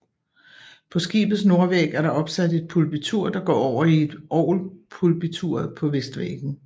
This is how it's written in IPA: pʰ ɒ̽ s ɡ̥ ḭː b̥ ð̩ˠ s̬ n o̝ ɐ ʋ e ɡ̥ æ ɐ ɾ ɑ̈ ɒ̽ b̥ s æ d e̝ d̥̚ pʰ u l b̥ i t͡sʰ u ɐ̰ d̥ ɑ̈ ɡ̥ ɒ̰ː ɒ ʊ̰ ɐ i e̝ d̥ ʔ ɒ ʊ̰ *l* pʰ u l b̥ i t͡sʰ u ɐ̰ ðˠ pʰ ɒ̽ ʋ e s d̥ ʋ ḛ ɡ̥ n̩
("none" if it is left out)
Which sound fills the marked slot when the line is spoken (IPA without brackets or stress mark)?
l